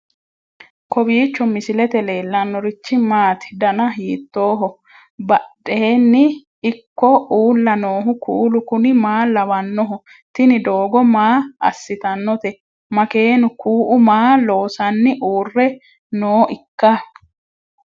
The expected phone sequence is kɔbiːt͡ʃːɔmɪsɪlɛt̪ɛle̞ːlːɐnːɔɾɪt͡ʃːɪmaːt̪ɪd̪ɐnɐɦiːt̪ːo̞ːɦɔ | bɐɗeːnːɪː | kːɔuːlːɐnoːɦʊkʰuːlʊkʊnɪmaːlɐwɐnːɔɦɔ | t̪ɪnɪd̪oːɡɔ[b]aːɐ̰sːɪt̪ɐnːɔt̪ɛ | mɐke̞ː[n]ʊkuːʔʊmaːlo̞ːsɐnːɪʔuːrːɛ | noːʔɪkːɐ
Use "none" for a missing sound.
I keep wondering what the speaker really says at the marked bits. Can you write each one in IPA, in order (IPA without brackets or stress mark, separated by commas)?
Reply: m, n